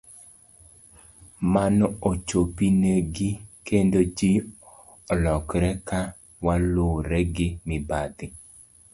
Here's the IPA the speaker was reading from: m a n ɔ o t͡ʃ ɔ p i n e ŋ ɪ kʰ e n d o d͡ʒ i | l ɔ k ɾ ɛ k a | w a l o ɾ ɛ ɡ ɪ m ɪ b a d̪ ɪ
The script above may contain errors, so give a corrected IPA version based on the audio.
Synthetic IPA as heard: m a n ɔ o t͡ʃ o p i n e ɡ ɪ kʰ e n d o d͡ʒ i | l ɔ k ɾ ɛ k a | w a l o ɾ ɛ ɡ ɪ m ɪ b a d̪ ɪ